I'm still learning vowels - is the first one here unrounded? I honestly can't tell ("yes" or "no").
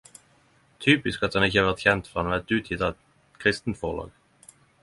no